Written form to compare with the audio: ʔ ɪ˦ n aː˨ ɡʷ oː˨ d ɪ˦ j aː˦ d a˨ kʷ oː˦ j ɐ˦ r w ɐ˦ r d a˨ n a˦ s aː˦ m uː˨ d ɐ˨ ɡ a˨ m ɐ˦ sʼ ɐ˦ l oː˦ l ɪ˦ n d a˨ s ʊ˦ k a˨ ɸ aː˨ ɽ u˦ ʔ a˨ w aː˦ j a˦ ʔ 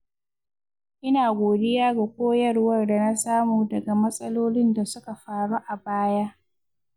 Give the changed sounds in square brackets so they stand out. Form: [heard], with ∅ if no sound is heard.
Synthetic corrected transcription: ʔ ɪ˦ n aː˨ ɡʷ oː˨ d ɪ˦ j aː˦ [ɡ] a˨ kʷ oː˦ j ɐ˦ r w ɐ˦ r d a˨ n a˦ s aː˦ m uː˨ d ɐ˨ ɡ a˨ m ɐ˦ sʼ ɐ˦ l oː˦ l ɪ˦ n d a˨ s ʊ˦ k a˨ ɸ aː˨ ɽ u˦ ʔ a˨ [b] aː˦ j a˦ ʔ

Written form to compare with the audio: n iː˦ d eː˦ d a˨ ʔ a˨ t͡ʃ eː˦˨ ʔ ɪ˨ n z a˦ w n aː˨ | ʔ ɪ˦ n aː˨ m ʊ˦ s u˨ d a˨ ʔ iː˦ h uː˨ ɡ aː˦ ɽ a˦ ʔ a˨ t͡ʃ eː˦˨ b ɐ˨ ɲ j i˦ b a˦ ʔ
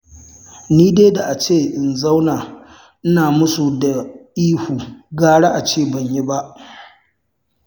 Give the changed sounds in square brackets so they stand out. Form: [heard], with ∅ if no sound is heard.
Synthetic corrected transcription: n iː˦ d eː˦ d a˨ ʔ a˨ t͡ʃ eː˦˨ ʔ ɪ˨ n z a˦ w n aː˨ | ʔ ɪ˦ n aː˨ m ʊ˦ s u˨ d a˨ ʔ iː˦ h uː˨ ɡ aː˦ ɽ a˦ ʔ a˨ t͡ʃ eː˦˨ b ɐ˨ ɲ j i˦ b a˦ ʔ

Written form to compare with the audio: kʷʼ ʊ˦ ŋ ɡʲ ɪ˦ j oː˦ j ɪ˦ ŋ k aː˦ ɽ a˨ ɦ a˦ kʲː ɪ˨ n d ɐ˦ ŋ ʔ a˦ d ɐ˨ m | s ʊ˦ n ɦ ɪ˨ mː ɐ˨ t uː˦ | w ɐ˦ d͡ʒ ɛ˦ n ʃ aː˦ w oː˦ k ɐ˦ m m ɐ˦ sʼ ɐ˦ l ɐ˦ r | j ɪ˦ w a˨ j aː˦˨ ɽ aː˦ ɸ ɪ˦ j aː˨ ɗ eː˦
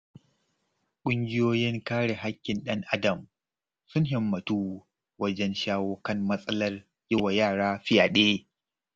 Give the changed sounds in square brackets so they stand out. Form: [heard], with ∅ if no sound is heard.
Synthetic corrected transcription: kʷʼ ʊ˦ ŋ ɡʲ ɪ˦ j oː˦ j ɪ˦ ŋ k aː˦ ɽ [e˨] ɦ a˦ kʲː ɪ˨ n [ɗ] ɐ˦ ŋ ʔ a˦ d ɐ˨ m | s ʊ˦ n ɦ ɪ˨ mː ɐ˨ t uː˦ | w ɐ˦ d͡ʒ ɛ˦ n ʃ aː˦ w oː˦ k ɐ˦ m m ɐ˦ sʼ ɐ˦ l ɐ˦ r | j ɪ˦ w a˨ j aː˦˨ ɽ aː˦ ɸ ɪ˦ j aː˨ ɗ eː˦

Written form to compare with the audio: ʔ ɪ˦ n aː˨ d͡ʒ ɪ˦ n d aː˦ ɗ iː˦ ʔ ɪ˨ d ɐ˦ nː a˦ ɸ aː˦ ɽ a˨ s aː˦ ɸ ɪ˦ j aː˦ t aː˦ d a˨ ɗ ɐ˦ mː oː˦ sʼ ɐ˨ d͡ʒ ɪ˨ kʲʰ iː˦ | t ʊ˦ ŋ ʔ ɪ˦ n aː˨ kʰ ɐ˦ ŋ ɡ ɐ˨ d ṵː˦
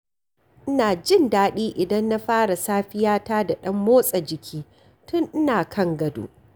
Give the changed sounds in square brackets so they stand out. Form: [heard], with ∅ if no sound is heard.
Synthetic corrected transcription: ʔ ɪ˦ n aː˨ d͡ʒ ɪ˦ n d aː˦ ɗ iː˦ ʔ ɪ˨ d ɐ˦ nː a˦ ɸ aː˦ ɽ a˨ s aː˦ ɸ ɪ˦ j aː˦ t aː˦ d a˨ ɗ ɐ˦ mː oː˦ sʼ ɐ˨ d͡ʒ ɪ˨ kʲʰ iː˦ | t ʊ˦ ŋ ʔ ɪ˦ n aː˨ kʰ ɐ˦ ŋ ɡ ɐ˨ d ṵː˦

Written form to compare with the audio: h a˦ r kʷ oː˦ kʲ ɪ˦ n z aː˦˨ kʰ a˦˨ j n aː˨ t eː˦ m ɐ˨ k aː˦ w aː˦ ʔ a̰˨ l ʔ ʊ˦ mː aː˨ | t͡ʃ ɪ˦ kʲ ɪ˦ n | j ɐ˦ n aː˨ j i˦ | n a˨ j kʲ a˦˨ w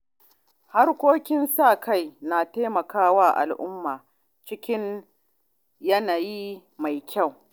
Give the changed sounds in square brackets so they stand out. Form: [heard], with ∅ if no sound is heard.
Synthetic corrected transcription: h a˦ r kʷ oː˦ kʲ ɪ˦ n [s] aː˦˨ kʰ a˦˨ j n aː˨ t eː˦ m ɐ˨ k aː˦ w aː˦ ʔ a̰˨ l ʔ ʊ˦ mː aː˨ | t͡ʃ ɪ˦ kʲ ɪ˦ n | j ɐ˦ n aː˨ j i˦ | [m] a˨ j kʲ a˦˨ w

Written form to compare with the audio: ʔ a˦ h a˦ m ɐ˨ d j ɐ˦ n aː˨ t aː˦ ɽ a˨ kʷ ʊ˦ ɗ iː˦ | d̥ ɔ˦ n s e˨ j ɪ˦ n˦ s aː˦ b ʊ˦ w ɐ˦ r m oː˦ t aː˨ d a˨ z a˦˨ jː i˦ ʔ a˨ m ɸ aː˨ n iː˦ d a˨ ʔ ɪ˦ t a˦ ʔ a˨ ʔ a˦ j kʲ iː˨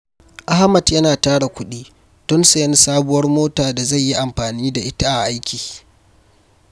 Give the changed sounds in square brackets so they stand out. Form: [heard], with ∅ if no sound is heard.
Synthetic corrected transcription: ʔ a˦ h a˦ m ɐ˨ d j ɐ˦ n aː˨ t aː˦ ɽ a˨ kʷ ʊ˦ ɗ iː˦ | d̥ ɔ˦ n s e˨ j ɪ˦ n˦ s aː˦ b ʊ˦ w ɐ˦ r m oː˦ t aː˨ d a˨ z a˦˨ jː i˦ ʔ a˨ m ɸ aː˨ n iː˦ d a˨ ʔ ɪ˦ t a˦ ʔ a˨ ʔ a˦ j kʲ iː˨

